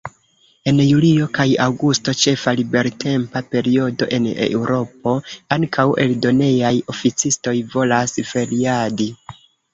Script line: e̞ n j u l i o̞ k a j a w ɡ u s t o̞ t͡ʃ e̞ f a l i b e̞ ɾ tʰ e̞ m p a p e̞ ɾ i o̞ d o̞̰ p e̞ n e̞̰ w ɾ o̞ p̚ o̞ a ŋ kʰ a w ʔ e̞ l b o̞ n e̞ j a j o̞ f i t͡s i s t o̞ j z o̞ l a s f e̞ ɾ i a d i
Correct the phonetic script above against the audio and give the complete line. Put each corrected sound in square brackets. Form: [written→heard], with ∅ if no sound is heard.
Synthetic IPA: e̞ n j u l i o̞ k a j a w ɡ u s t o̞ t͡ʃ e̞ f a l i b e̞ ɾ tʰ e̞ m p a p e̞ ɾ i o̞ d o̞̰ [p→ʔ] e̞ n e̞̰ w ɾ o̞ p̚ o̞ a ŋ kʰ a w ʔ e̞ l [b→d] o̞ n e̞ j a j o̞ f i t͡s i s t o̞ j [z→v] o̞ l a s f e̞ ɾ i a d i